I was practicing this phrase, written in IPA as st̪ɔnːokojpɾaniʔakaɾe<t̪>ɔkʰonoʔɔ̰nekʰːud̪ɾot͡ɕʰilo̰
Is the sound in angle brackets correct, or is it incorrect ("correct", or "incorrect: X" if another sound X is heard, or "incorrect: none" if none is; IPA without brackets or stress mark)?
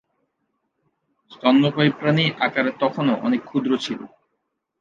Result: correct